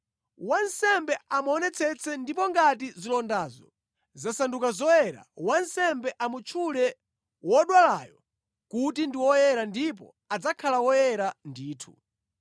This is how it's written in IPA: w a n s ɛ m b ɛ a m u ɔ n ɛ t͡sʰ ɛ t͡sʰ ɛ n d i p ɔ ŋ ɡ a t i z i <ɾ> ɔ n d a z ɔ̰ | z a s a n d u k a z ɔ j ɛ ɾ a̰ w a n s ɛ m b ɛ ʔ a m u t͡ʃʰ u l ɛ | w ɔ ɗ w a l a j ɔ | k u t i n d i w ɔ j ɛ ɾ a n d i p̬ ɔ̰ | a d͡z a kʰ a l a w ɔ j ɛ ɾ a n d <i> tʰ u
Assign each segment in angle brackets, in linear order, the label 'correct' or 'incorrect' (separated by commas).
incorrect, incorrect